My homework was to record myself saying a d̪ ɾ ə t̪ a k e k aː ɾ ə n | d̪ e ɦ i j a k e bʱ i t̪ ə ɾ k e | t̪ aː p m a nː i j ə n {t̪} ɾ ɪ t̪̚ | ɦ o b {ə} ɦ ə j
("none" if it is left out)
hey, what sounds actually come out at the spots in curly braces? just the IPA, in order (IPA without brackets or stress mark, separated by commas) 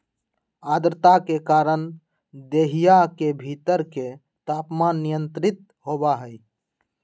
t̪, a